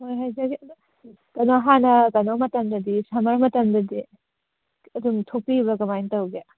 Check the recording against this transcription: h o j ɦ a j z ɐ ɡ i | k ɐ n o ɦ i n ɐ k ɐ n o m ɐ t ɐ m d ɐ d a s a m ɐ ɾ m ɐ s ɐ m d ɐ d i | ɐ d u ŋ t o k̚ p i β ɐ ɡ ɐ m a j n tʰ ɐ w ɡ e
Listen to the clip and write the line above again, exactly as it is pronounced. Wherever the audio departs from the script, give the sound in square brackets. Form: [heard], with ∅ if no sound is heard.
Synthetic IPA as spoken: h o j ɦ a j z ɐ ɡ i | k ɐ n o ɦ [a] n ɐ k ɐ n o m ɐ t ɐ m d ɐ d [i] s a m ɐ ɾ m ɐ [t] ɐ m d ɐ d i | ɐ d u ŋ [tʰ] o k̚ p i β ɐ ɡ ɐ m a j n [t] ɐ w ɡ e